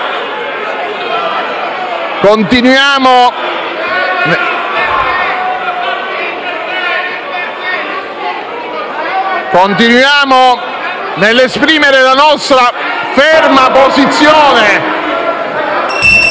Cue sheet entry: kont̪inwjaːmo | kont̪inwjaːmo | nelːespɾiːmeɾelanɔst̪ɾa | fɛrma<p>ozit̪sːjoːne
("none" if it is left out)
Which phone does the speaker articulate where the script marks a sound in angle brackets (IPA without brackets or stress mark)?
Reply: p